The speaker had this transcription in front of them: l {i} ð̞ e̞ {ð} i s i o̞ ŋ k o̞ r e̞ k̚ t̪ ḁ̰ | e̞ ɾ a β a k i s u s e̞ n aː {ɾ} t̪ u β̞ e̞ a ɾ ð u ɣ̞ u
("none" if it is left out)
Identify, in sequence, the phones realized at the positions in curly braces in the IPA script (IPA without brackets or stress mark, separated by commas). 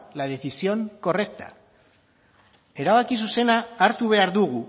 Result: a, θ, ɾ